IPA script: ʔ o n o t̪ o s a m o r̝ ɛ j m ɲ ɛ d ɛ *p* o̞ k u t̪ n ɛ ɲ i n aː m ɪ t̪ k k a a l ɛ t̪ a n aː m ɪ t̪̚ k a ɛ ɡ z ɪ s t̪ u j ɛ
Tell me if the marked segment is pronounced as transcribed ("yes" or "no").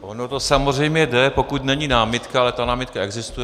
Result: yes